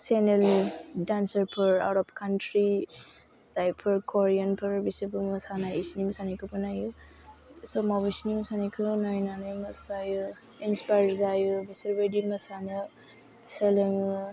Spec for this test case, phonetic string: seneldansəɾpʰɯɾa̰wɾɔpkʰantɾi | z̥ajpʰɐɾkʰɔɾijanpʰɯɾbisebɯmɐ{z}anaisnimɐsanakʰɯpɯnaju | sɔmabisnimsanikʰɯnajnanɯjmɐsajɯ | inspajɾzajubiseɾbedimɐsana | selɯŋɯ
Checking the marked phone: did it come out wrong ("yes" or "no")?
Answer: yes